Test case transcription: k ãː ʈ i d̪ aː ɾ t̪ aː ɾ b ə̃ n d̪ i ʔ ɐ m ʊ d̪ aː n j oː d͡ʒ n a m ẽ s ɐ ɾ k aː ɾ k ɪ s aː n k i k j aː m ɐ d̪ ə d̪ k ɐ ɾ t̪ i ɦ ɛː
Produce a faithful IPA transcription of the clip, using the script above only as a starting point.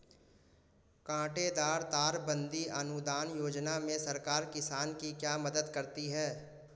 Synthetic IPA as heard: k ãː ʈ e d̪ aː ɾ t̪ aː ɾ b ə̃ n d̪ i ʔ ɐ n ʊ d̪ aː n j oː d͡ʒ n a m ẽ s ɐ ɾ k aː ɾ k ɪ s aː n k i k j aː m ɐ d̪ ə d̪ k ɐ ɾ t̪ i ɦ ɛː